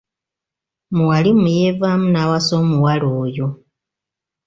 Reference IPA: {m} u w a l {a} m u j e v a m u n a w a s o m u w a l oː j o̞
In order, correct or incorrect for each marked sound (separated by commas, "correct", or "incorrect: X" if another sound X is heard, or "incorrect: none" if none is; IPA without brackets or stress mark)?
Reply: correct, incorrect: i